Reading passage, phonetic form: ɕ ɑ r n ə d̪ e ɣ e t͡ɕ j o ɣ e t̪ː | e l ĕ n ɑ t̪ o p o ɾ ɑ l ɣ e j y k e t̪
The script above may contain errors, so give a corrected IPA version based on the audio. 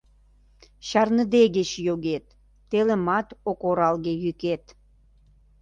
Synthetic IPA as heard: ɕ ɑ r n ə d̪ e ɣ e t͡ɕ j o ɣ e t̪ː | e l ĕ m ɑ t̪ o k o ɾ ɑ l ɣ e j y k e t̪